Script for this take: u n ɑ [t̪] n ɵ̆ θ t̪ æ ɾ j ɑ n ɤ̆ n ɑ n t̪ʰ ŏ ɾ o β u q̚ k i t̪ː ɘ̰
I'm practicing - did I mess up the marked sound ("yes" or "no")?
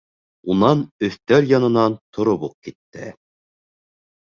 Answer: yes